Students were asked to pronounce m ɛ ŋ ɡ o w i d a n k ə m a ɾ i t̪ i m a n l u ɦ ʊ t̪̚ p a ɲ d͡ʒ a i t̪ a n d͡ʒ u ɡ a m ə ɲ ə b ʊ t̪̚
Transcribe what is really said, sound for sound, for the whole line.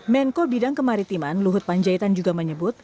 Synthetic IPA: m ɛ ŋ k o b i d a ŋ k ə m a ɾ i t̪ i m a n l u ɦ ʊ t̪̚ p a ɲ d͡ʒ a i t̪ a n d͡ʒ u ɡ a m ə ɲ ə b ʊ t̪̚